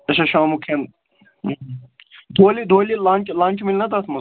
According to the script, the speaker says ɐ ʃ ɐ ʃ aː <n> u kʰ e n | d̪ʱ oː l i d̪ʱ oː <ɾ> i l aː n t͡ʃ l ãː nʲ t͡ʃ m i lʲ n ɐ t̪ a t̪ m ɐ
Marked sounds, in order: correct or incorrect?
incorrect, incorrect

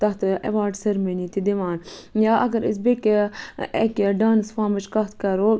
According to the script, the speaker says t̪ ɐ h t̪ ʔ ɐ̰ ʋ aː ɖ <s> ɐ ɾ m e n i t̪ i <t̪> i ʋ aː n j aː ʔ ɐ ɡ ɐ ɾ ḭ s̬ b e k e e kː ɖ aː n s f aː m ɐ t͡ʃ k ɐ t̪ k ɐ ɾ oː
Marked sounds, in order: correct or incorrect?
correct, incorrect

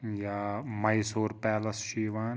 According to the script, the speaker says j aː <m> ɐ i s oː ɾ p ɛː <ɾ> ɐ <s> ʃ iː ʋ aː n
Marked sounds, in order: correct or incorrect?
correct, incorrect, correct

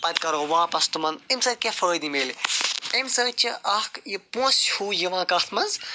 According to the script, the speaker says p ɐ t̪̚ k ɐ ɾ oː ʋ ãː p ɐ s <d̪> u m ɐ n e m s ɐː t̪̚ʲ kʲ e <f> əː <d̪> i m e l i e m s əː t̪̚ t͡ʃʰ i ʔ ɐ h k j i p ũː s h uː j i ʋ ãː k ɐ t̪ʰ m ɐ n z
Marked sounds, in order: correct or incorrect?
incorrect, correct, correct

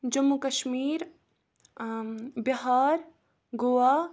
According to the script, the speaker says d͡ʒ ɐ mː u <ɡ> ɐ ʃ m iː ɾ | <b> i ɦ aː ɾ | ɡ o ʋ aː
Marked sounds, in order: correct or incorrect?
incorrect, correct

